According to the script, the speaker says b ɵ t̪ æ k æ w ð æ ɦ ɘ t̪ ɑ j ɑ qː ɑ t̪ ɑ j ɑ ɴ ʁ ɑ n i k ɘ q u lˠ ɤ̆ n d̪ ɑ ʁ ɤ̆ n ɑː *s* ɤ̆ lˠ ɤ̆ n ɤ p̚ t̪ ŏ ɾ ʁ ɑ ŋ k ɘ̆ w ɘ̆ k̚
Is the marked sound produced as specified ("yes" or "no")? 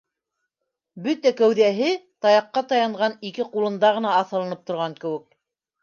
no